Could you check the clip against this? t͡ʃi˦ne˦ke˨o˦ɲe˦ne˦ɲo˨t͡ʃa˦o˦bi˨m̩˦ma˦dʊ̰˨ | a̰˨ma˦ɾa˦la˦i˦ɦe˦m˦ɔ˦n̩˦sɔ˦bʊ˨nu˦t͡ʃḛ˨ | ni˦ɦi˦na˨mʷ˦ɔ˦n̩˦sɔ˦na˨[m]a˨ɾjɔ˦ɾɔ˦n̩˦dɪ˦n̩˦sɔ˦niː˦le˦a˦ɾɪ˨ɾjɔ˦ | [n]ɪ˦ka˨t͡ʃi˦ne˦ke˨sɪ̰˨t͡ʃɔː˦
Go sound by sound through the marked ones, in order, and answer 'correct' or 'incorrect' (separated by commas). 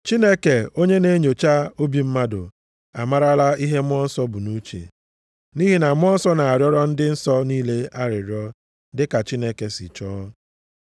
incorrect, incorrect